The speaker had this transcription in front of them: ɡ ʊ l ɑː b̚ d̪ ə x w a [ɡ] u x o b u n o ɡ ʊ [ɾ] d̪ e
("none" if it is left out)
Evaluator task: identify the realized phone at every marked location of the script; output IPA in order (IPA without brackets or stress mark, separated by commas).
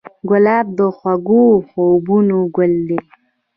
ɡ, l